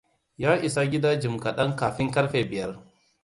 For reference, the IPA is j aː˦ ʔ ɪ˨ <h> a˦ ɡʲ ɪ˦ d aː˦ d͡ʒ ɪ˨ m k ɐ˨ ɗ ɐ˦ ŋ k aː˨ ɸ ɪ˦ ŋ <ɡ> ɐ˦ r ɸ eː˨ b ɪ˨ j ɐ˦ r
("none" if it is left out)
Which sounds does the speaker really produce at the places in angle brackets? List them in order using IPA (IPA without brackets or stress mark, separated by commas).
s, k